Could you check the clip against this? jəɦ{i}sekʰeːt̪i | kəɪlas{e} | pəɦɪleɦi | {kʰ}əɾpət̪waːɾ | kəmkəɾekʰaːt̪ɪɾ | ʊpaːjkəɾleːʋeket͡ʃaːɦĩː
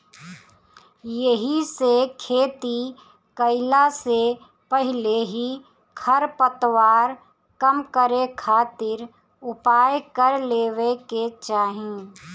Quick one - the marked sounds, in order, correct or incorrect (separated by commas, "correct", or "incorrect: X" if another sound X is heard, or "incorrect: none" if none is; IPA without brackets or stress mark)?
correct, correct, correct